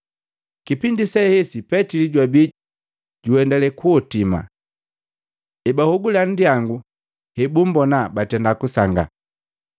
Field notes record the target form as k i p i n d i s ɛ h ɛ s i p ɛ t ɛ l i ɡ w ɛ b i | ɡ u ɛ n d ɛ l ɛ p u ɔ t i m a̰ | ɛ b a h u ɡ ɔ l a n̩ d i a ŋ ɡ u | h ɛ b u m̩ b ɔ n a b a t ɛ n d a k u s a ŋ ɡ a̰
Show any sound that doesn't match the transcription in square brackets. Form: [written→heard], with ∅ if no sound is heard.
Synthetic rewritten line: k i p i n d i s ɛ h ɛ s i p ɛ t [ɛ→i] l i [ɡ→ɟ] w [ɛ→a] b i | [ɡ→ɟ] u ɛ n d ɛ l ɛ [p→k] u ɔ t i m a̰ | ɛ b a h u ɡ [ɔ→u] l a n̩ d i a ŋ ɡ u | h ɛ b u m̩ b ɔ n a b a t ɛ n d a k u s a ŋ ɡ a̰